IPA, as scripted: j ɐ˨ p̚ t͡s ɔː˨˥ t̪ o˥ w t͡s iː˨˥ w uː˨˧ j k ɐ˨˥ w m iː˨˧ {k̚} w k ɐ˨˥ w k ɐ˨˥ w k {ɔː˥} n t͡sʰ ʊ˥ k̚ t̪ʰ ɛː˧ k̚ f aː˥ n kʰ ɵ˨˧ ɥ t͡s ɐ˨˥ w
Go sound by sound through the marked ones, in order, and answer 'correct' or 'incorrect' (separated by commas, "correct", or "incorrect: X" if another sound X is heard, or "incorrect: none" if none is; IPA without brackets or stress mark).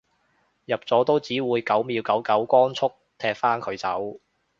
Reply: incorrect: none, correct